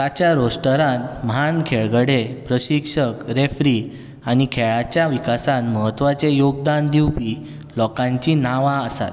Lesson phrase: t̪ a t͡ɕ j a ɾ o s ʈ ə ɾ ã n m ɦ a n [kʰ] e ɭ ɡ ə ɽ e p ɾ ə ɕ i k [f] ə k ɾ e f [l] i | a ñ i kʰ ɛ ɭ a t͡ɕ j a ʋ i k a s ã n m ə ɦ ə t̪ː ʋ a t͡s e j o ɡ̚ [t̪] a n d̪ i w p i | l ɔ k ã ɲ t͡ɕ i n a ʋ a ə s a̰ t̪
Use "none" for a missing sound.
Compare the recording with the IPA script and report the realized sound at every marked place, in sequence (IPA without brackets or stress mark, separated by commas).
kʰ, ʂ, ɾ, d̪